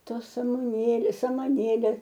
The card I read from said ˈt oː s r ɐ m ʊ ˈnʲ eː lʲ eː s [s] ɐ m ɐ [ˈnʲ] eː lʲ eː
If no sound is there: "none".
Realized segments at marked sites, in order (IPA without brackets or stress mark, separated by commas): s, nʲ